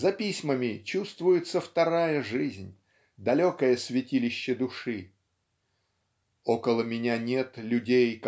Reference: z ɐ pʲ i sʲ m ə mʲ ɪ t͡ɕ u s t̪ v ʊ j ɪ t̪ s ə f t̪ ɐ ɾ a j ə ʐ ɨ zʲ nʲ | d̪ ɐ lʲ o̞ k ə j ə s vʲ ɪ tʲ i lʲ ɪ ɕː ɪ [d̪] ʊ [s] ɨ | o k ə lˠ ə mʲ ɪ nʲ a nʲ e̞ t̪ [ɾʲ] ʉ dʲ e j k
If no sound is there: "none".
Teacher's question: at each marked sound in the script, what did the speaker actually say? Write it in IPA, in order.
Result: d̪, ʂ, lʲ

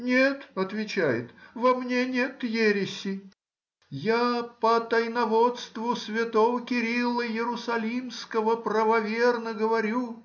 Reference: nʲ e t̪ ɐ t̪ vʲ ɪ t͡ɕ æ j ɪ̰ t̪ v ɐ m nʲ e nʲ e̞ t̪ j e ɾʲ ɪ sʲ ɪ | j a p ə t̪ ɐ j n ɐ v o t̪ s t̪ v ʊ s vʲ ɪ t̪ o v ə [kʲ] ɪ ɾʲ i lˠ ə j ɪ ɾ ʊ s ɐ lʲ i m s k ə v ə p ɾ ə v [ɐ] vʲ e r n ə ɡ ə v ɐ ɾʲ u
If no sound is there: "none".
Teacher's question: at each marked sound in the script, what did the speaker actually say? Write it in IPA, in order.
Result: kʲ, ɐ

